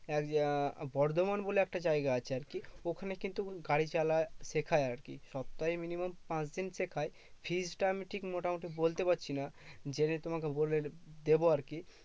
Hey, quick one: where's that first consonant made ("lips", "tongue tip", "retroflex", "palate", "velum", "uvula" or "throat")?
velum